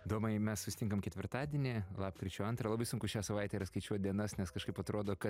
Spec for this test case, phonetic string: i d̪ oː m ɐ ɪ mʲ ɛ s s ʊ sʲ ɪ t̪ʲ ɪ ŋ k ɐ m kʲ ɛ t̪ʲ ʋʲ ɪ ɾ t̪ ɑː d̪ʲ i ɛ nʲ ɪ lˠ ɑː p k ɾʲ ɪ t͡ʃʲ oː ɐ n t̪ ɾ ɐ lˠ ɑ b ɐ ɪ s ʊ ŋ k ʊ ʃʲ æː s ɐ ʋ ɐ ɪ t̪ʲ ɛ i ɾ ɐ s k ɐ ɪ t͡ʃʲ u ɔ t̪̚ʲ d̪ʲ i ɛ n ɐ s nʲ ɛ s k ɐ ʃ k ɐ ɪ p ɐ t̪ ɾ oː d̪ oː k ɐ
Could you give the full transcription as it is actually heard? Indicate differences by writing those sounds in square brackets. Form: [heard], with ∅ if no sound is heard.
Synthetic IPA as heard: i d̪ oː m ɐ ɪ mʲ ɛ s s ʊ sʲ ɪ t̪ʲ ɪ ŋ k ɐ m kʲ ɛ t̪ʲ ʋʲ ɪ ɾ t̪ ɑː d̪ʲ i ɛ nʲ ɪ lˠ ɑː p k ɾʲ ɪ t͡ʃʲ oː ɐ n t̪ ɾ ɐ lˠ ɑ b ɐ ɪ s ʊ ŋ k ʊ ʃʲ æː s ɐ ʋ ɐ ɪ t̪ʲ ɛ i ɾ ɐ s k ɐ ɪ t͡ʃʲ u ɔ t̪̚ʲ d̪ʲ i ɛ n ɐ s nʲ ɛ s k ɐ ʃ k ɐ ɪ p ɐ t̪ ɾ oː d̪ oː k ɐ